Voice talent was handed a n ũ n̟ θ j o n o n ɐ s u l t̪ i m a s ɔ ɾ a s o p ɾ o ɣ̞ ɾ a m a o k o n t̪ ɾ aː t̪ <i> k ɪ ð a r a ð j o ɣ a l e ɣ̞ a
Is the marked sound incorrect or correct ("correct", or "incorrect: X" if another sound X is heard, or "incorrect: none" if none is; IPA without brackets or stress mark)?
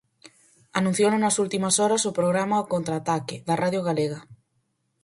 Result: incorrect: a